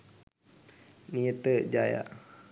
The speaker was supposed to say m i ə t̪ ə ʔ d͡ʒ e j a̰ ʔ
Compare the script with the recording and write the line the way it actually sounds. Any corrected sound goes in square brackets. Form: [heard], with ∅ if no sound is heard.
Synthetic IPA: [n] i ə t̪ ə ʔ d͡ʒ [a] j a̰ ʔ